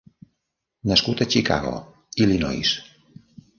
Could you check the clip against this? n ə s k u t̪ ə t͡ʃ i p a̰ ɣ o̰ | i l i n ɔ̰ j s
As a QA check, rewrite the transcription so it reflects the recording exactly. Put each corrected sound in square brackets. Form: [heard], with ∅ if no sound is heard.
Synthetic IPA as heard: n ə s k u t̪ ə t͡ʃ i [k] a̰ ɣ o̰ | i l i n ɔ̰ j s